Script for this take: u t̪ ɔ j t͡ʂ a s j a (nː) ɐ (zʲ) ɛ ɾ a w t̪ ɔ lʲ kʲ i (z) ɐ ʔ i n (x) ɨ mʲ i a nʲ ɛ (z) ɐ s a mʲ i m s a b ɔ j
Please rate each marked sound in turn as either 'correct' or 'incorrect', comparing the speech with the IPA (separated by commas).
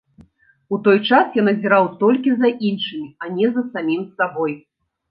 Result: incorrect, correct, correct, incorrect, correct